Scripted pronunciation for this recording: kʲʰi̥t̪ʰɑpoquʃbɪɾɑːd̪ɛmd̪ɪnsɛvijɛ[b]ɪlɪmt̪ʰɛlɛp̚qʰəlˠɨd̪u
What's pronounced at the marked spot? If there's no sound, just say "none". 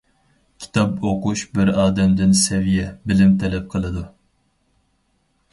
b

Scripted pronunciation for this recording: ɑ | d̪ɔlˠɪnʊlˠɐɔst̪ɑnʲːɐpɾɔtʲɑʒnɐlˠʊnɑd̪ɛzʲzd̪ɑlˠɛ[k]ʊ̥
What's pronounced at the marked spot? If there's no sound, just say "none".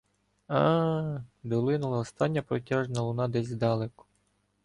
k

